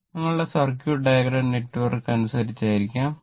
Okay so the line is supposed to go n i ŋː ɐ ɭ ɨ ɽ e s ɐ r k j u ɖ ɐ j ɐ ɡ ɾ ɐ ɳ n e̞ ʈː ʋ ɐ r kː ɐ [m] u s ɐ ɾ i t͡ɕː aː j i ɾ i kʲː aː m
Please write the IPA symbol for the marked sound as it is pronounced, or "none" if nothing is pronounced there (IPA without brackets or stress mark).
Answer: n